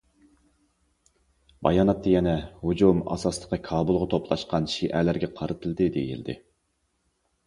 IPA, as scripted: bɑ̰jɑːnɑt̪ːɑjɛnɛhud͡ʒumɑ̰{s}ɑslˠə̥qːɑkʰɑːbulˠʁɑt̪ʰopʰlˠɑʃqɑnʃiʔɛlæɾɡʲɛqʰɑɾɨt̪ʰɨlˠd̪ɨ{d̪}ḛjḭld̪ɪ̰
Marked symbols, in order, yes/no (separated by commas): yes, yes